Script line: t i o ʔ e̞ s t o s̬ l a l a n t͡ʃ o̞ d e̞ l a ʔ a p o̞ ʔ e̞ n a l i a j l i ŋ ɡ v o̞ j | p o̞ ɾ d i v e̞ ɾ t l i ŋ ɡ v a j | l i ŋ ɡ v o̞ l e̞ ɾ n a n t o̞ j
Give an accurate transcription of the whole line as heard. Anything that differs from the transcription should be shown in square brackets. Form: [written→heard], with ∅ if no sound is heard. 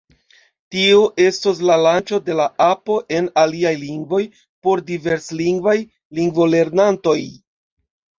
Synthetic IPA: t i o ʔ e̞ s t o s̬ l a l a n t͡ʃ o̞ d e̞ l a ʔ a p o̞ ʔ e̞ n a l i a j l i ŋ ɡ v o̞ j | p o̞ ɾ d i v e̞ ɾ [t→s] l i ŋ ɡ v a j | l i ŋ ɡ v o̞ l e̞ ɾ n a n t o̞ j